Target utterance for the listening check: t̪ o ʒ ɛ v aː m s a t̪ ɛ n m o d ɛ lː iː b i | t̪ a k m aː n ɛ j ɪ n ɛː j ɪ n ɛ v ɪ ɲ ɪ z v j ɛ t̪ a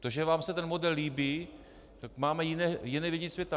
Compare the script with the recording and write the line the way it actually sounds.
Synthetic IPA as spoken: t̪ o ʒ ɛ v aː m s ɛ t̪ ɛ n m o d ɛ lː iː b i | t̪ a k m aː m ɛ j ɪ n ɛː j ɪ n ɛ v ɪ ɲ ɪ s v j ɛ t̪ a